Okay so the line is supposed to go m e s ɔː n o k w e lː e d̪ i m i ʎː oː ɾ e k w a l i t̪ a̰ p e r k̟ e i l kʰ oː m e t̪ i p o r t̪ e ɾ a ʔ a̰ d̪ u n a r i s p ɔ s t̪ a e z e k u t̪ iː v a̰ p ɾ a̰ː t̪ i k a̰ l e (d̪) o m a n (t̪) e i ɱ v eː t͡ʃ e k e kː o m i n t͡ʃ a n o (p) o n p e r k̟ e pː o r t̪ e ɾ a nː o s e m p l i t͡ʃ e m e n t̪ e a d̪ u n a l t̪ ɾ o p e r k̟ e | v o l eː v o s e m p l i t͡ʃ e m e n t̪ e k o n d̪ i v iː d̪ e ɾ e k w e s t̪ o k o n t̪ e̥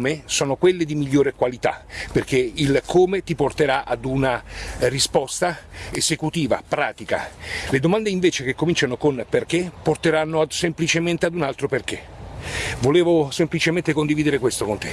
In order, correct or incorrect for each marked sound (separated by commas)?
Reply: correct, incorrect, incorrect